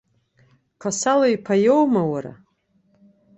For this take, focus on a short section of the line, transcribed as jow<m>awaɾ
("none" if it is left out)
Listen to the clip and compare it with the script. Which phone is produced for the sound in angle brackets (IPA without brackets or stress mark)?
m